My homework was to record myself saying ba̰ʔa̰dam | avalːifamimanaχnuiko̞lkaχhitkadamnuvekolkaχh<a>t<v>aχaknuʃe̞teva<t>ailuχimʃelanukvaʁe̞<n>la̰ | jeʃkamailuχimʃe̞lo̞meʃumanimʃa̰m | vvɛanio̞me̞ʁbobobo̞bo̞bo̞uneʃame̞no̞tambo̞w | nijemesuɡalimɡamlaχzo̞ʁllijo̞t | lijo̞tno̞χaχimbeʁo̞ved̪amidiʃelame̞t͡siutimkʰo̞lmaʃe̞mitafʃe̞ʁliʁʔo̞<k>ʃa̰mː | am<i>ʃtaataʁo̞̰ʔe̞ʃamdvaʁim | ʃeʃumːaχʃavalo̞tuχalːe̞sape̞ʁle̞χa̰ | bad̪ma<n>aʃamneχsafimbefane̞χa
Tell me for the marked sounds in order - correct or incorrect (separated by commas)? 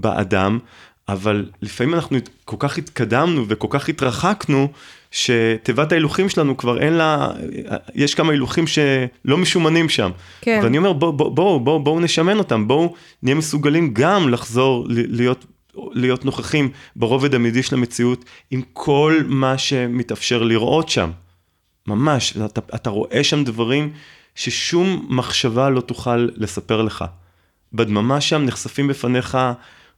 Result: incorrect, incorrect, correct, correct, incorrect, incorrect, incorrect